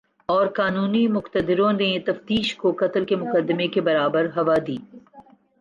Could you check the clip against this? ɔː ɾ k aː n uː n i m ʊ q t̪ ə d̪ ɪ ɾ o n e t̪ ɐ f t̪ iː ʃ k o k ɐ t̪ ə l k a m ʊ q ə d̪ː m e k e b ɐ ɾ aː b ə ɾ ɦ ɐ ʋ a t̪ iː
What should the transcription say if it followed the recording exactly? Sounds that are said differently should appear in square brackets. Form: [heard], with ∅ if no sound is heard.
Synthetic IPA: ɔː ɾ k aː n uː n i m ʊ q t̪ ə d̪ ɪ ɾ [õ] n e t̪ ɐ f t̪ iː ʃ k o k ɐ t̪ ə l k [e] m ʊ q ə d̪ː m e k e b ɐ ɾ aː b ə ɾ ɦ ɐ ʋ a [d̪] iː